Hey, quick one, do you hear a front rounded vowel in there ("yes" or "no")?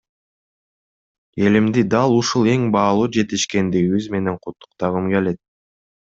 no